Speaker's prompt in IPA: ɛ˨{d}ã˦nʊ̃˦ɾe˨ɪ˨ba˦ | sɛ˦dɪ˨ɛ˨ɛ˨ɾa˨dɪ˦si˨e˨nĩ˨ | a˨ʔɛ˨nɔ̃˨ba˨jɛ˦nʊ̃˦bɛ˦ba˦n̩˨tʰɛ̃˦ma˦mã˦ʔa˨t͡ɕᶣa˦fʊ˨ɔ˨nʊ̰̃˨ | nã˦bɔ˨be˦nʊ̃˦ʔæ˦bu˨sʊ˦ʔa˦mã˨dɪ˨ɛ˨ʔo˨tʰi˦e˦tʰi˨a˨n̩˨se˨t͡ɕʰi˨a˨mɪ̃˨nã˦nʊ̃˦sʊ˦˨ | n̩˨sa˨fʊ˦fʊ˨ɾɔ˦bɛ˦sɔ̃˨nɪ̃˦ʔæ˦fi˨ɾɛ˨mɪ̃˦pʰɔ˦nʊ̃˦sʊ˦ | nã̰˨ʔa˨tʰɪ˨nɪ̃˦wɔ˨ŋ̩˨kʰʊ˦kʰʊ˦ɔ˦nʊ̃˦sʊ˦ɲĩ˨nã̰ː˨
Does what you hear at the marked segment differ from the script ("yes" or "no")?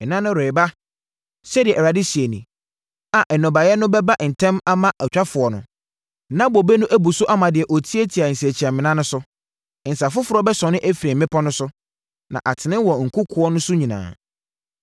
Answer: yes